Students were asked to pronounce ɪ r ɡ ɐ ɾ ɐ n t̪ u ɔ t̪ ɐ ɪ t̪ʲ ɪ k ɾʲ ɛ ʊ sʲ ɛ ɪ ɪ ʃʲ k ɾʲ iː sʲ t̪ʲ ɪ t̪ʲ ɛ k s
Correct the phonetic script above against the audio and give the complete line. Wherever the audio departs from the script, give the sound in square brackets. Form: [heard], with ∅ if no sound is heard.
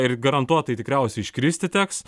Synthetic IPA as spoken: ɪ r ɡ ɐ ɾ ɐ n t̪ u ɔ t̪ ɐ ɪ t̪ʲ ɪ k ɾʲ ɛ ʊ sʲ ɛ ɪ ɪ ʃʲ k ɾʲ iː sʲ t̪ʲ ɪ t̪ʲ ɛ k s